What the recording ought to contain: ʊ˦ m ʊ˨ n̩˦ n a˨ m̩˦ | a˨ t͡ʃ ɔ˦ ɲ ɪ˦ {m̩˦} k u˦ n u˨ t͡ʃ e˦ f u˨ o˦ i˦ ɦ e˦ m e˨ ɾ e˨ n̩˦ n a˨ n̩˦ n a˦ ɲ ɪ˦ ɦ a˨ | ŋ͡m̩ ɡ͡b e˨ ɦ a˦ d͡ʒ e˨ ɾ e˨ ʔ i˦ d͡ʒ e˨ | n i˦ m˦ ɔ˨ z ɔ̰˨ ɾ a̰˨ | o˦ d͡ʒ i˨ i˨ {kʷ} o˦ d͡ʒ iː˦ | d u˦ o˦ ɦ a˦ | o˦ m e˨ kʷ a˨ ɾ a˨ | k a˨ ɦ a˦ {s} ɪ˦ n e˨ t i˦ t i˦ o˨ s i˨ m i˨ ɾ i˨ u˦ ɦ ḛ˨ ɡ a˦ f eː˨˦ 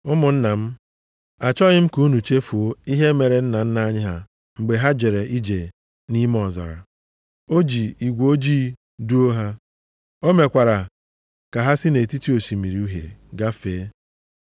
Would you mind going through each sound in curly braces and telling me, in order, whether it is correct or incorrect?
correct, incorrect: ɡʷ, correct

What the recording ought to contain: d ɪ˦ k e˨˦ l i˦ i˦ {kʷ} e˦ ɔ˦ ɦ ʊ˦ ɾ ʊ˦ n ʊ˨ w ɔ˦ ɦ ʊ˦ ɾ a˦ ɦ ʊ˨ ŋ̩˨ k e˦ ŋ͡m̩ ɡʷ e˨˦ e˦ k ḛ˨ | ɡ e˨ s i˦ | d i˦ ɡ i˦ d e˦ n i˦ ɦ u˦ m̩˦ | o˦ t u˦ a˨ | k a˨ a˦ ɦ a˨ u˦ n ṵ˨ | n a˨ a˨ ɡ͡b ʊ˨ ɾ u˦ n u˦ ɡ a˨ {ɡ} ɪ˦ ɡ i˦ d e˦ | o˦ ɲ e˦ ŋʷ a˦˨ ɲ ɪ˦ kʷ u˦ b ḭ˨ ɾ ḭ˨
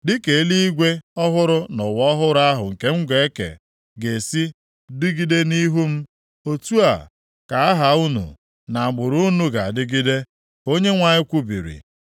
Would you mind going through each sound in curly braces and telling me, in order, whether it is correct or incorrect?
incorrect: ɡʷ, incorrect: d

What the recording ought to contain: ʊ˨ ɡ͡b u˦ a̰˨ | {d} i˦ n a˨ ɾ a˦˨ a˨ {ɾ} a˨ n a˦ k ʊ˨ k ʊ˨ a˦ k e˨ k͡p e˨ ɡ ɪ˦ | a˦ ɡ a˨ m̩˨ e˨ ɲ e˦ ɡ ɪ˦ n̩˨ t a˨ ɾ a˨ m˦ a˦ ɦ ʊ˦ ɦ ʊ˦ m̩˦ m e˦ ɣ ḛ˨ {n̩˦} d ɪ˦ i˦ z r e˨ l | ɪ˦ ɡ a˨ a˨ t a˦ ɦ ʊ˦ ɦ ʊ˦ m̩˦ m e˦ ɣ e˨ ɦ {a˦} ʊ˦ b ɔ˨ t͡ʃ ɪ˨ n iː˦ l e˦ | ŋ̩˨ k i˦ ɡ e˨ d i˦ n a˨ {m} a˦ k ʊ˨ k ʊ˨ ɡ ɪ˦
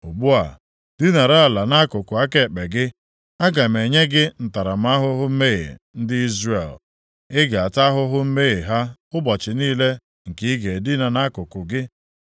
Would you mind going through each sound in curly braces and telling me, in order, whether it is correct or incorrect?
correct, incorrect: l, correct, correct, incorrect: n

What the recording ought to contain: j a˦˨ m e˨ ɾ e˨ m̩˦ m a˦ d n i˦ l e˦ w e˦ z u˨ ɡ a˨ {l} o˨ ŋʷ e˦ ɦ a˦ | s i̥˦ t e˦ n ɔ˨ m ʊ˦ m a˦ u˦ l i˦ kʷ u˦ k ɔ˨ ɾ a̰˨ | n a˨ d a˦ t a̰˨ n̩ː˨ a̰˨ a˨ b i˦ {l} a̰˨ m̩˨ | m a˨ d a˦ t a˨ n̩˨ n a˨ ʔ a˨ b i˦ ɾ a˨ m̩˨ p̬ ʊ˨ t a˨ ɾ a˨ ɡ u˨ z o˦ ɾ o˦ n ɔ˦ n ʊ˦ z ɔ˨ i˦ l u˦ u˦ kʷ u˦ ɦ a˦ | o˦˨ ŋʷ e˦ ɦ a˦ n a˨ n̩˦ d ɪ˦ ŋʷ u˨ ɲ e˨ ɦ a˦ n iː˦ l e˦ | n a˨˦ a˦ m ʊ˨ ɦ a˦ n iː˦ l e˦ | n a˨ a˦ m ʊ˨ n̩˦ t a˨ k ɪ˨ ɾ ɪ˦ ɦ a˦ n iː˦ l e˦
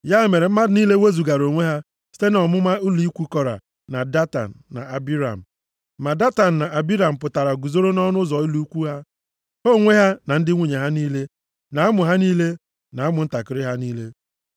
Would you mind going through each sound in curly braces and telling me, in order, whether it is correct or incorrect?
incorrect: ɾ, incorrect: ɾ

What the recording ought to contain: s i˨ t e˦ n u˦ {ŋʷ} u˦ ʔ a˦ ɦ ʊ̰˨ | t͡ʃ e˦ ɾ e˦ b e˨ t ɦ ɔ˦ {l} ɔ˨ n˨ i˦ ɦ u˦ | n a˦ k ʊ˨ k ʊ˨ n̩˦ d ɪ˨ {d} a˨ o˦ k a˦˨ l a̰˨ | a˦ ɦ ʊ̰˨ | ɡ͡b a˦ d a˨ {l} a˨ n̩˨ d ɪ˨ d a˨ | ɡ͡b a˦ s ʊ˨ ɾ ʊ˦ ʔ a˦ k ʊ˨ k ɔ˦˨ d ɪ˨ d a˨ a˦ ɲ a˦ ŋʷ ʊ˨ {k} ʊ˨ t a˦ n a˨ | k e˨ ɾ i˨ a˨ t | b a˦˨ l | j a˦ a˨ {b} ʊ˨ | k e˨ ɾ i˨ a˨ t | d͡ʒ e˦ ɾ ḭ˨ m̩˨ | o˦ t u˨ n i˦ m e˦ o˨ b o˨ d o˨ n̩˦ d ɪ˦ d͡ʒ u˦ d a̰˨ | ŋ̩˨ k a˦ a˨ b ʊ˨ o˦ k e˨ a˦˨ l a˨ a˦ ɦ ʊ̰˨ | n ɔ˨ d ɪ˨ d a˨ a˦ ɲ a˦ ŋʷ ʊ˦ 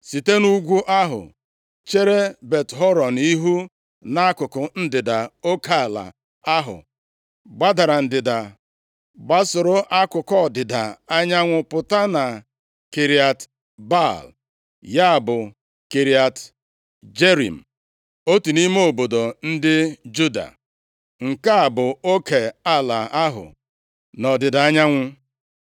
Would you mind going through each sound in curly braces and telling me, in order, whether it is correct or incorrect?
incorrect: ɡʷ, incorrect: ɾ, correct, incorrect: ɾ, incorrect: p, correct

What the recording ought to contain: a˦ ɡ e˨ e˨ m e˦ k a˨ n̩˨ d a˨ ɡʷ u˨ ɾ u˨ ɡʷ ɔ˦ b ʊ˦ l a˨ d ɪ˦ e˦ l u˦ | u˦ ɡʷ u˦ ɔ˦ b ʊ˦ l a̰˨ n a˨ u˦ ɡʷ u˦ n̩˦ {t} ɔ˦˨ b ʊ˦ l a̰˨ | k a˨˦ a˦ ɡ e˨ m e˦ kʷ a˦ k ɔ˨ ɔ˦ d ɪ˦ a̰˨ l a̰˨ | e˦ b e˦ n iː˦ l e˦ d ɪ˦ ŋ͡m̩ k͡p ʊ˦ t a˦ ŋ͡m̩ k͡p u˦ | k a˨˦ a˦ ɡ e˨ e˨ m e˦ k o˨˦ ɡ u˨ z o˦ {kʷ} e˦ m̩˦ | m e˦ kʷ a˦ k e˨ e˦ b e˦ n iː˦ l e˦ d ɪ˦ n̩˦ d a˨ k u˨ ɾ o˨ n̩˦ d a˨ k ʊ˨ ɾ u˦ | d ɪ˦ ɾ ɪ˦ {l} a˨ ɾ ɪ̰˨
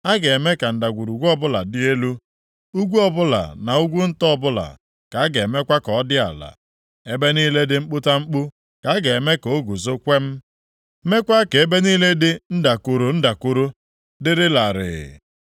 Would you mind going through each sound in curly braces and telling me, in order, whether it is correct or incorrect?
correct, correct, correct

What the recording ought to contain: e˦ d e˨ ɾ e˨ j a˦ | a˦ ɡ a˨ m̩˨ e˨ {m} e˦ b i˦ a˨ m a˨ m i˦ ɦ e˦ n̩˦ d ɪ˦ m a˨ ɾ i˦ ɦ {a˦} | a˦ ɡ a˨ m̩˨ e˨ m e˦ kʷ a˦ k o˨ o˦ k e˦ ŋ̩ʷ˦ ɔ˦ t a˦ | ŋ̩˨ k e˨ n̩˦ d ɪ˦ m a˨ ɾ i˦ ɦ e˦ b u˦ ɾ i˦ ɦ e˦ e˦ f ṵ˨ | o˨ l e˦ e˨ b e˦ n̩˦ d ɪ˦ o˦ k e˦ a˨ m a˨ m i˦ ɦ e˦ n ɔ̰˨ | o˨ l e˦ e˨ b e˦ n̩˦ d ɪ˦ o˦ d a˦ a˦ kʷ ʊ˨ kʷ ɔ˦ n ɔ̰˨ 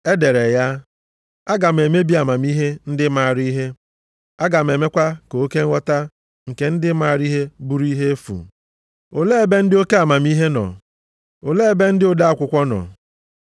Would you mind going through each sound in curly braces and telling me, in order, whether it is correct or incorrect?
correct, incorrect: e˦

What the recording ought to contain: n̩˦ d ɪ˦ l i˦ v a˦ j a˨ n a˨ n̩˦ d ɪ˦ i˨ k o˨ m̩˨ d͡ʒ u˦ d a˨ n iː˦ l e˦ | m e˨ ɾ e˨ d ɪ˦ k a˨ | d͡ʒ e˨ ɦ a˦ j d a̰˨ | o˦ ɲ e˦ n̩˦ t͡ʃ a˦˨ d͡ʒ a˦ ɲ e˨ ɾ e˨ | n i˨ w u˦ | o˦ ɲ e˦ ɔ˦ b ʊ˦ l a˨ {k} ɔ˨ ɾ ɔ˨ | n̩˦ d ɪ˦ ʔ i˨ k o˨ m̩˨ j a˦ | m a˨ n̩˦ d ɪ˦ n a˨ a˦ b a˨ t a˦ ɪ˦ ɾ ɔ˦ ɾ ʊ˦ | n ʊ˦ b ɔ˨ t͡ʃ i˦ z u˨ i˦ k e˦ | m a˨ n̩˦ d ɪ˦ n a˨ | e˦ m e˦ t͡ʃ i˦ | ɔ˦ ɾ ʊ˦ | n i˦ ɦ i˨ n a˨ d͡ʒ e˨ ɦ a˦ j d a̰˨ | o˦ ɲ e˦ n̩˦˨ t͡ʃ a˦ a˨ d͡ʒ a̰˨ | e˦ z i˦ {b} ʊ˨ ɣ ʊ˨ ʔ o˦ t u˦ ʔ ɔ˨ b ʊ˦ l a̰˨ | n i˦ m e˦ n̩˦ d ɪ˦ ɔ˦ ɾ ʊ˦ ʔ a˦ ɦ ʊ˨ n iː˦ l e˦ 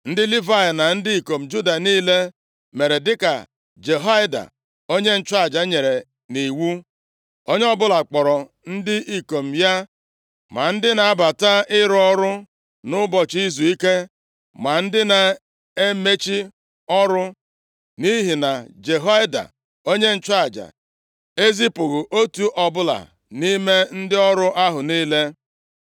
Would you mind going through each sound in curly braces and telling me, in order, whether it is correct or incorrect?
incorrect: k͡p, incorrect: p

